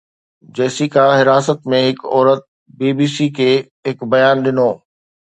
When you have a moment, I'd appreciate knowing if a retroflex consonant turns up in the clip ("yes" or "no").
no